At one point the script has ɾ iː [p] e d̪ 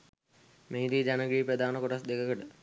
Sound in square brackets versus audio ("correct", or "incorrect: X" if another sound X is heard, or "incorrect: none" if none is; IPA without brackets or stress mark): correct